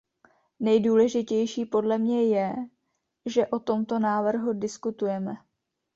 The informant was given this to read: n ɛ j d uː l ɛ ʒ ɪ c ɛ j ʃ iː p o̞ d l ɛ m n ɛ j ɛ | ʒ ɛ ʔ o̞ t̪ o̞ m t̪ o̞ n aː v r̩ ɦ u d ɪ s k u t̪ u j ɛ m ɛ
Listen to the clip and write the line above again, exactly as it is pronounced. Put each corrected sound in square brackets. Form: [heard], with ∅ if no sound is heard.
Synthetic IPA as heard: n ɛ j d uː l ɛ ʒ ɪ c ɛ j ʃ iː p o̞ d l ɛ m [ɲ] ɛ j ɛ | ʒ ɛ ʔ o̞ t̪ o̞ m t̪ o̞ n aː v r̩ ɦ u d ɪ s k u t̪ u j ɛ m ɛ